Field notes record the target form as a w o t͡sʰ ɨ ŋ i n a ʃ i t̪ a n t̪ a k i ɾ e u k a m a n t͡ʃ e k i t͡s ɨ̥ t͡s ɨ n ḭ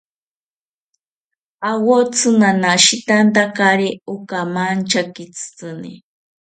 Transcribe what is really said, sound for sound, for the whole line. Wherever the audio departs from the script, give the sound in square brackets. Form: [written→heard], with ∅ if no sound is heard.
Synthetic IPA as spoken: a w o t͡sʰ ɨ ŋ [i→a] n a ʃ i t̪ a n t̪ a k [i→a] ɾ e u k a m a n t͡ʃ [e→a] k i t͡s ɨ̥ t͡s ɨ n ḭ

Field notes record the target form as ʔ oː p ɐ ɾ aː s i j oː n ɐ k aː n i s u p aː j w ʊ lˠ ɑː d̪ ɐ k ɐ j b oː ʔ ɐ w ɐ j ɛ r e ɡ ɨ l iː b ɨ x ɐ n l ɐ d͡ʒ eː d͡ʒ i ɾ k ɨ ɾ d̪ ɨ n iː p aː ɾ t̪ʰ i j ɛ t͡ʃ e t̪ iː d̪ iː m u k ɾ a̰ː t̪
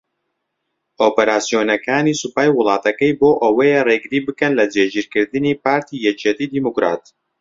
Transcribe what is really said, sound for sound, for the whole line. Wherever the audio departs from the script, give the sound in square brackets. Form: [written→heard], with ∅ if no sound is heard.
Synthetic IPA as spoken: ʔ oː p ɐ ɾ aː s i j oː n ɐ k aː n i s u p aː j w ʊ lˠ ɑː [d̪→t̪] ɐ k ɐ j b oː ʔ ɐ w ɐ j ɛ r e ɡ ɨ [l→ɾ] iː b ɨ [x→k] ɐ n l ɐ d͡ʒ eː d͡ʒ i ɾ k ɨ ɾ d̪ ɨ n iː p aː ɾ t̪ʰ i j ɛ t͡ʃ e t̪ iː d̪ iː m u k ɾ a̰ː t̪

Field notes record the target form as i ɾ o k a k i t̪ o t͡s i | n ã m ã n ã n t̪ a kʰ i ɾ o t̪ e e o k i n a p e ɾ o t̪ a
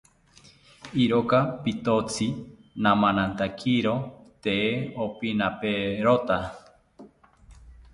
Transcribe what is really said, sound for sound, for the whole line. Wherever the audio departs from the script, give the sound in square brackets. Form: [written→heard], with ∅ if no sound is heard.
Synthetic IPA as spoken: i ɾ o k a [k→p] i t̪ o t͡s i | n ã m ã n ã n t̪ a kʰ i ɾ o t̪ e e o [k→p] i n a p e ɾ o t̪ a

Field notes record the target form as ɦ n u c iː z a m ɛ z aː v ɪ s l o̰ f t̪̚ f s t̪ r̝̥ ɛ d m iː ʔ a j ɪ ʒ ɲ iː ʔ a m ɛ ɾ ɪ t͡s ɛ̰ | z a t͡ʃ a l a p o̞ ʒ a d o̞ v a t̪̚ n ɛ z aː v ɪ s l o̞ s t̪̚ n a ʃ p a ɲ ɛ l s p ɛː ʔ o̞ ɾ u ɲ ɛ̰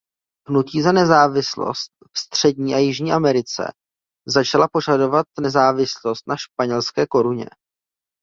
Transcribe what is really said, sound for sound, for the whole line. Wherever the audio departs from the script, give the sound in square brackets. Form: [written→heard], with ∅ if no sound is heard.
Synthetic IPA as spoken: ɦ n u c iː z a [m→n] ɛ z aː v ɪ s l o̰ [f→s] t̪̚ f s t̪ r̝̥ ɛ d [m→ɲ] iː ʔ a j ɪ ʒ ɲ iː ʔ a m ɛ ɾ ɪ t͡s ɛ̰ | z a t͡ʃ a l a p o̞ ʒ a d o̞ v a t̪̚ n ɛ z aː v ɪ s l o̞ s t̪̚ n a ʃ p a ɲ ɛ l s [p→k] ɛː [ʔ→k] o̞ ɾ u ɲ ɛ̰

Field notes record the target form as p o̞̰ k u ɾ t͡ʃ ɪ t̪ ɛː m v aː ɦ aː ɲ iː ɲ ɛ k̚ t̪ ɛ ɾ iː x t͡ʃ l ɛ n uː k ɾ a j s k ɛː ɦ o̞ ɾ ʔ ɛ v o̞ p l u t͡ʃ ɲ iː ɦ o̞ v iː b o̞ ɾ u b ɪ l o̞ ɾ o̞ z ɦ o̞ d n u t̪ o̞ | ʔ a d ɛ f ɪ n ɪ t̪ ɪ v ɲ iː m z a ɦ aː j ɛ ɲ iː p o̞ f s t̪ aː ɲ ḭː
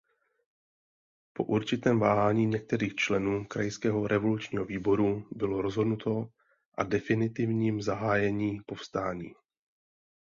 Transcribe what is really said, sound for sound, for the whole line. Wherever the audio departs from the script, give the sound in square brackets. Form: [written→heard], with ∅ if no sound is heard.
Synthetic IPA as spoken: p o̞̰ [k→ʔ] u ɾ t͡ʃ ɪ t̪ ɛː m v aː ɦ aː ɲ iː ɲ ɛ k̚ t̪ ɛ ɾ iː x t͡ʃ l ɛ n uː k ɾ a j s k ɛː ɦ o̞ ɾ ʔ ɛ v o̞ [p→∅] l u t͡ʃ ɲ iː ɦ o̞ v iː b o̞ ɾ u b ɪ l o̞ ɾ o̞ z ɦ o̞ d n u t̪ o̞ | ʔ a d ɛ f ɪ n ɪ t̪ ɪ v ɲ iː m z a ɦ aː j ɛ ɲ iː p o̞ f s t̪ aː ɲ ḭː

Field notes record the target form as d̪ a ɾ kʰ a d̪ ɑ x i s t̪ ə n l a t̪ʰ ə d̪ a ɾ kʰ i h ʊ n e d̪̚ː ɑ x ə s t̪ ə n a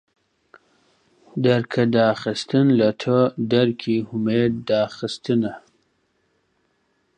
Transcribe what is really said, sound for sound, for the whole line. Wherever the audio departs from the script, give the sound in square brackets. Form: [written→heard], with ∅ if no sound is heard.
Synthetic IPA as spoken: d̪ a ɾ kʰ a d̪ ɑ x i s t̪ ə n l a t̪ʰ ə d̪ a ɾ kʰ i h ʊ [n→m] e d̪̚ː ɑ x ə s t̪ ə n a

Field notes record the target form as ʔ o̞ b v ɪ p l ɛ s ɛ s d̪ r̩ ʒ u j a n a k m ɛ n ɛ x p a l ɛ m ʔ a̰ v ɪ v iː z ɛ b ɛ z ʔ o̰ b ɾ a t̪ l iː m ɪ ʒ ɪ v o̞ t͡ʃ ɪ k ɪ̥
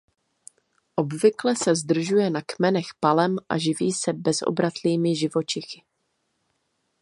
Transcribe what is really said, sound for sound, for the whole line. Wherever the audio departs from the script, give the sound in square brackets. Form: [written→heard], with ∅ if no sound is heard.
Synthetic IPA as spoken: ʔ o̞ b v ɪ [p→k] l ɛ s ɛ [s→z] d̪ r̩ ʒ u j [a→ɛ] n a k m ɛ n ɛ x p a l ɛ m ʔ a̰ [v→ʒ] ɪ v iː [z→s] ɛ b ɛ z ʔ o̰ b ɾ a t̪ l iː m ɪ ʒ ɪ v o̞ t͡ʃ ɪ [k→x] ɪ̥

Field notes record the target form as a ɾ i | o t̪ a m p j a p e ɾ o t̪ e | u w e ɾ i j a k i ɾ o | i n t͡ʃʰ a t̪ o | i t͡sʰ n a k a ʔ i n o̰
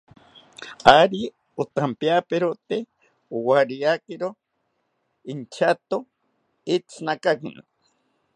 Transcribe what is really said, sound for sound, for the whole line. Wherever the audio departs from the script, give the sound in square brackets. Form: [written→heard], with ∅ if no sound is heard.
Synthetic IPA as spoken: a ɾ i | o t̪ a m p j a p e ɾ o t̪ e | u w [e→a] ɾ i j a k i ɾ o | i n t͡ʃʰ a t̪ o | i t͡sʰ n a k a [ʔ→k] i n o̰

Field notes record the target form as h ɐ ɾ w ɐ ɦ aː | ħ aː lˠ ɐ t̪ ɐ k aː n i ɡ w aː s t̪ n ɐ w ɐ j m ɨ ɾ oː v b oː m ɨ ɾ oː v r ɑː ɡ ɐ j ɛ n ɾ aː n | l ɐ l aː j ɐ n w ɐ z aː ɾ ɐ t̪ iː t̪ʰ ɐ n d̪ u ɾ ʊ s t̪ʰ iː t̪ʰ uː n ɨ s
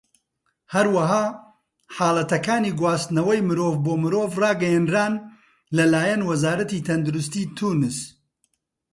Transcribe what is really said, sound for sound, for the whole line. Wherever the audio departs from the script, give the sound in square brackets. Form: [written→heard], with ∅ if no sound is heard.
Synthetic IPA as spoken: h ɐ ɾ w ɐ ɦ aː | ħ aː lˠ ɐ t̪ ɐ k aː n i ɡ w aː s t̪ n ɐ w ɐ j m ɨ ɾ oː v b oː m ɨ ɾ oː v r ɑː ɡ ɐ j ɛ n ɾ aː n | l ɐ l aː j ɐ n w ɐ z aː ɾ ɐ t̪ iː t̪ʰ ɐ n d̪ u ɾ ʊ s [t̪ʰ→t̪] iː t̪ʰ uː n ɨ s

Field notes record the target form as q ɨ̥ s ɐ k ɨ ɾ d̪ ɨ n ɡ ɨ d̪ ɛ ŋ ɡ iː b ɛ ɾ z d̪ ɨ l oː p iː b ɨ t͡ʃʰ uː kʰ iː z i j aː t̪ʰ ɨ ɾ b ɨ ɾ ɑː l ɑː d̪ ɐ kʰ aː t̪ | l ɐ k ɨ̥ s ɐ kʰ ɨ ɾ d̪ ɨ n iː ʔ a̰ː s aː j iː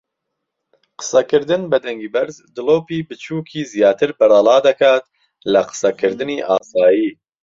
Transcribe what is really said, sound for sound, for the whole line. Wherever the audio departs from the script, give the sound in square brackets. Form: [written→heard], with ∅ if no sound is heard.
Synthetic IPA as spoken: q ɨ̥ s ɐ k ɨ ɾ d̪ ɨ n [ɡ→b] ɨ d̪ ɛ ŋ ɡ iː b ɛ ɾ z d̪ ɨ l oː p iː b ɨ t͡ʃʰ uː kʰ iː z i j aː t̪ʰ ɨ ɾ b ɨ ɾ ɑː l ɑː d̪ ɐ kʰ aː t̪ | l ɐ [k→q] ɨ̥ s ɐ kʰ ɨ ɾ d̪ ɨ n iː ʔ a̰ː s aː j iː

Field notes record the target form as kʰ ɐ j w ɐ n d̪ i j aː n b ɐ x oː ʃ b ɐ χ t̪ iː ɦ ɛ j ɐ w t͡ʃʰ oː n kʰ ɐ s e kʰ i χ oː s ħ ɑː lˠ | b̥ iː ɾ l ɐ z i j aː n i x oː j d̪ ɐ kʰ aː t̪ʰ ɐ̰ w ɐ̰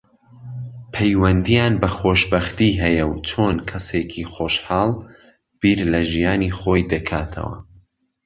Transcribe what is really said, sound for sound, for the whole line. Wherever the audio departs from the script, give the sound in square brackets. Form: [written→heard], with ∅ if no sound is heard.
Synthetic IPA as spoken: [kʰ→pʰ] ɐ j w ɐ n d̪ i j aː n b ɐ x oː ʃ b ɐ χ t̪ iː ɦ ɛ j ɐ w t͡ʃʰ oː n kʰ ɐ s e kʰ i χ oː [s→ʃ] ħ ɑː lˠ | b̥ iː ɾ l ɐ [z→ʒ] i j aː n i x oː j d̪ ɐ kʰ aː t̪ʰ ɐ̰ w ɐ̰

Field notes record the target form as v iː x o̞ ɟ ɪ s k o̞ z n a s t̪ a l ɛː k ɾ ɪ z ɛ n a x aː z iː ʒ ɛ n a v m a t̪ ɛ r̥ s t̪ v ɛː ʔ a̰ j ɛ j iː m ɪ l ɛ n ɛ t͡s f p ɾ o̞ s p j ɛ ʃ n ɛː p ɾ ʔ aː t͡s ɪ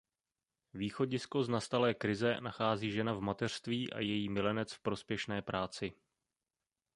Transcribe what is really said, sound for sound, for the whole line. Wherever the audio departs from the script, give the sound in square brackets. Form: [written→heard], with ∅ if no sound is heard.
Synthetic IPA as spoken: v iː x o̞ ɟ ɪ s k o̞ z n a s t̪ a l ɛː k ɾ ɪ z ɛ n a x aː z iː ʒ ɛ n a v m a t̪ ɛ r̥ s t̪ v [ɛː→iː] ʔ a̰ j ɛ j iː m ɪ l ɛ n ɛ t͡s f p ɾ o̞ s p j ɛ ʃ n ɛː p ɾ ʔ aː t͡s ɪ

